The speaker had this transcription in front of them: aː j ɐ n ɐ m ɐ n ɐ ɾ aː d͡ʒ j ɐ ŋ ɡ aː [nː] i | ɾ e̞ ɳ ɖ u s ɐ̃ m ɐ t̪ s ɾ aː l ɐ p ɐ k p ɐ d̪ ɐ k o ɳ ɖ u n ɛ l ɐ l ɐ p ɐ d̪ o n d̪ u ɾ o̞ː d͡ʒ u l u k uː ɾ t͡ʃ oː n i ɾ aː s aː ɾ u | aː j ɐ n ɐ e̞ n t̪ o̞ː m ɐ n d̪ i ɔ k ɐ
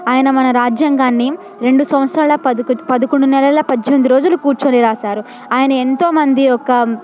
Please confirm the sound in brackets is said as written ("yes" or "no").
yes